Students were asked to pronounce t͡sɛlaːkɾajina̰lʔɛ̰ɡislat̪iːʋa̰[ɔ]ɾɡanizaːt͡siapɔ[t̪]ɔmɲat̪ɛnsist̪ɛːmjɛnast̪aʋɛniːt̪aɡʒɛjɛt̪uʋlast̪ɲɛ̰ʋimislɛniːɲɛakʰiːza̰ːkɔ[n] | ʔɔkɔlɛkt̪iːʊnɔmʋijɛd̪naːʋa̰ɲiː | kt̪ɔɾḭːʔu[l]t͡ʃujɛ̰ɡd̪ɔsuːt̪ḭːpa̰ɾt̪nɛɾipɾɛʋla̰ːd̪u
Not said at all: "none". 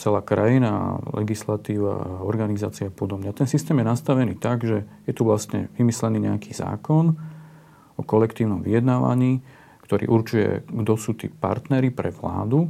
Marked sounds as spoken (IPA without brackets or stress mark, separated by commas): ɔ, d̪, n, ɾ